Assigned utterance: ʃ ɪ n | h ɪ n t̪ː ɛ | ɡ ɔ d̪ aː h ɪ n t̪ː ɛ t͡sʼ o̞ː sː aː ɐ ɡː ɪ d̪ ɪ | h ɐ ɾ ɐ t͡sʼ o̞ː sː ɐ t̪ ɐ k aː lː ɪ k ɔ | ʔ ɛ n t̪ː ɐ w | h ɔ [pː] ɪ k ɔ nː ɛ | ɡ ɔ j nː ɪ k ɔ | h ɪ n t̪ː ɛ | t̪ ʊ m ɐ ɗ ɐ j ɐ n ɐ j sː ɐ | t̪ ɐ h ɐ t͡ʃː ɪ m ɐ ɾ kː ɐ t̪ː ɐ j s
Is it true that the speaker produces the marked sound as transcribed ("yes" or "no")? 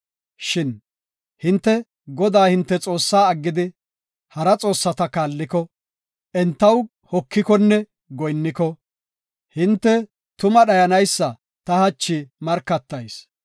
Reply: no